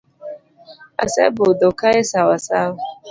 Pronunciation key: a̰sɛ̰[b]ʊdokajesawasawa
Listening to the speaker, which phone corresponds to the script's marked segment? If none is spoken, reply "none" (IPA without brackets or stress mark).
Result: b